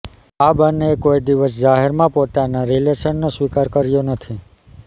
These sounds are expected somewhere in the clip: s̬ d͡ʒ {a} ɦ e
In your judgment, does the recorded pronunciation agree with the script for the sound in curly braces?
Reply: yes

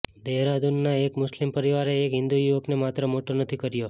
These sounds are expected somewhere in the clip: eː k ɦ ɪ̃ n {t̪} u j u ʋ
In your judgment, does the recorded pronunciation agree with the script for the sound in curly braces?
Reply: no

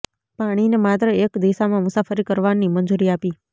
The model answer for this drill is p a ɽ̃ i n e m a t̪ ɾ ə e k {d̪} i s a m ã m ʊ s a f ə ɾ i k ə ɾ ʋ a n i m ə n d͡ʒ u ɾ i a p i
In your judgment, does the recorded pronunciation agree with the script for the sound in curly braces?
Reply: yes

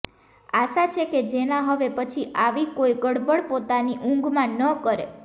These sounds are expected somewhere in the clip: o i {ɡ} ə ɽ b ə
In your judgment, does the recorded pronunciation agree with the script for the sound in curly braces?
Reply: yes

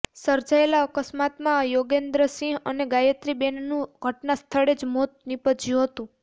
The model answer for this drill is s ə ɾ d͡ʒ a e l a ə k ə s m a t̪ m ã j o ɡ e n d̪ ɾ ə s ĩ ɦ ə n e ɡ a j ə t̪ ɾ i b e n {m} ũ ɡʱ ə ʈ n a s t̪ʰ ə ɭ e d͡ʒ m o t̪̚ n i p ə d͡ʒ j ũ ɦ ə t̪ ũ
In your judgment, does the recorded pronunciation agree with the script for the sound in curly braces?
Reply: no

